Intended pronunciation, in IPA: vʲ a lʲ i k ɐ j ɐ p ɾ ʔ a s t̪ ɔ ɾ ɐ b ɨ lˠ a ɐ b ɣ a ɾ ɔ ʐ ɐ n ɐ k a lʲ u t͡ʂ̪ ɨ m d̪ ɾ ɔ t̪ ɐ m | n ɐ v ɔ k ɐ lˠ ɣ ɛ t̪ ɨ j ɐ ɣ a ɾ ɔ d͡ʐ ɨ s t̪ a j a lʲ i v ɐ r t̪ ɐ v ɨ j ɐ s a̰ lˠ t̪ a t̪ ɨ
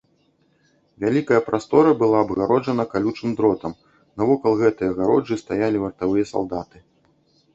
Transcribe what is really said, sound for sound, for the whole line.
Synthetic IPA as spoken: vʲ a lʲ i k ɐ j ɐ p ɾ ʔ a s t̪ ɔ ɾ ɐ b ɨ lˠ a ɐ b ɣ a ɾ ɔ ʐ ɐ n ɐ k a lʲ u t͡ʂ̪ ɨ m d̪ ɾ ɔ t̪ ɐ m | n ɐ v ɔ k ɐ lˠ ɣ ɛ t̪ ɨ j ɐ ɣ a ɾ ɔ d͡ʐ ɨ s t̪ a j a lʲ i v ɐ r t̪ a v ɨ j ɐ s a̰ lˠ d̪ a t̪ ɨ